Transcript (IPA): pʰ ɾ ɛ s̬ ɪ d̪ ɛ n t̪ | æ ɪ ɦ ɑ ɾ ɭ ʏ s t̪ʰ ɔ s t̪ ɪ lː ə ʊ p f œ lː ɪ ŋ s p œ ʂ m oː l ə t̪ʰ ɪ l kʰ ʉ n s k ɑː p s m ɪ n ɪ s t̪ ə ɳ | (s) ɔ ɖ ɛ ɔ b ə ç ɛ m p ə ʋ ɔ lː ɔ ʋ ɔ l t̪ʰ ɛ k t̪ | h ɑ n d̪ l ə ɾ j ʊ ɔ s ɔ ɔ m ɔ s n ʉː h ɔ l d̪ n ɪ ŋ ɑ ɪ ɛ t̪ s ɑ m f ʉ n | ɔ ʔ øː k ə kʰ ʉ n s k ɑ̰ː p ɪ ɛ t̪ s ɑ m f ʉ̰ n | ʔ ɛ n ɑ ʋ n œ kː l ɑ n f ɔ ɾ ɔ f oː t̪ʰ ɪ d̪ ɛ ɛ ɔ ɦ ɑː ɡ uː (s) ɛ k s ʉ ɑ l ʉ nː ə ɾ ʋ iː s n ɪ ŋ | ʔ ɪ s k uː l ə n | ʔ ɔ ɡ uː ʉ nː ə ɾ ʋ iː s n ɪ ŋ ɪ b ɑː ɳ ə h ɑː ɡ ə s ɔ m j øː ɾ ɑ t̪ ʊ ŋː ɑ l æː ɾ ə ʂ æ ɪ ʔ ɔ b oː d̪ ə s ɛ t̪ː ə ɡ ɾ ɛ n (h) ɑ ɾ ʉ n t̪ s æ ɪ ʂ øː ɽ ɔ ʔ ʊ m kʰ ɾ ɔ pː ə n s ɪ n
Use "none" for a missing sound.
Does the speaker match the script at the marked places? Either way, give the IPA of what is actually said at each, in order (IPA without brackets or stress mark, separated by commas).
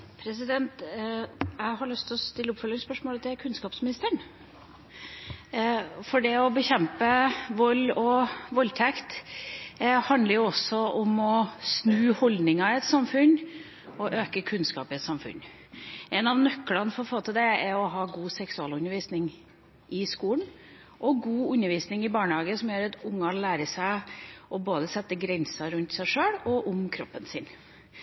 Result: f, s, s